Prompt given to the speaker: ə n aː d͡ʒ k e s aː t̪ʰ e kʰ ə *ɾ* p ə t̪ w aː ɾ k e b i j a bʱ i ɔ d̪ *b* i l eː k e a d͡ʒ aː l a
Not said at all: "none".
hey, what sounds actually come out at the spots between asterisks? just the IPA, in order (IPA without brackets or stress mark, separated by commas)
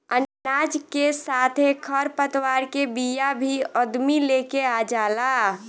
ɾ, m